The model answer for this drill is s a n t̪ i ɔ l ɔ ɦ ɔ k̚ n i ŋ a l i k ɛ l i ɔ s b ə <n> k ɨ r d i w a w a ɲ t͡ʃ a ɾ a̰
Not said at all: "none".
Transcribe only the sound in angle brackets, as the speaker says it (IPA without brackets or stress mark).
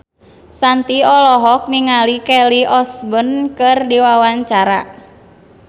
n